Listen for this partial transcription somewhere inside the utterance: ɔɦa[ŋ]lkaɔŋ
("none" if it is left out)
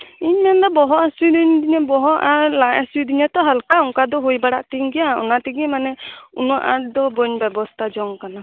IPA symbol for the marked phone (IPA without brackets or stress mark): none